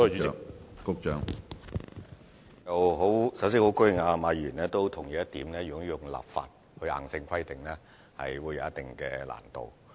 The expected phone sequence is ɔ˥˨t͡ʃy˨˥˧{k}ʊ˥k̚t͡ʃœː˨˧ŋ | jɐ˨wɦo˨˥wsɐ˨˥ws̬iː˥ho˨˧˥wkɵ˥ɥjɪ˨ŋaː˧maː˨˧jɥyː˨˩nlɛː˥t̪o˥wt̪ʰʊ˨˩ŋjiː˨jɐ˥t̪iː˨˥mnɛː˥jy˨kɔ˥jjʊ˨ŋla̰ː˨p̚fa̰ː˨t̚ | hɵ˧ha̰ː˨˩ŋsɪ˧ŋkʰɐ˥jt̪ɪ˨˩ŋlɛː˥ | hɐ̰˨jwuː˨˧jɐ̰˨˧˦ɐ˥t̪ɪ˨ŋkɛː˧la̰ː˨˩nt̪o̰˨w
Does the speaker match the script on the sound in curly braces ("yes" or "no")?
yes